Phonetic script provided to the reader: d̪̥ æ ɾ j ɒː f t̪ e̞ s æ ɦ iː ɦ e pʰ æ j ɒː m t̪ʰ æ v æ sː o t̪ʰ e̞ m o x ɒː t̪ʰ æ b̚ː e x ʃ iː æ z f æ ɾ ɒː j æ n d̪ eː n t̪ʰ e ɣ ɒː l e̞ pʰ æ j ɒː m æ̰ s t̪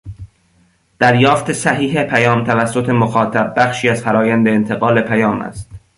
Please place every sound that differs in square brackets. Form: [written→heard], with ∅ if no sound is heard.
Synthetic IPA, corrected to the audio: d̪̥ æ ɾ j ɒː f t̪ e̞ s æ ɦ iː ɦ e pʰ æ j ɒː m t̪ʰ æ v æ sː o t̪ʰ e̞ m o x ɒː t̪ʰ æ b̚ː [e→æ] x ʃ iː æ z f æ ɾ ɒː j æ n d̪ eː n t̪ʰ e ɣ ɒː l e̞ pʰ æ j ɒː m æ̰ s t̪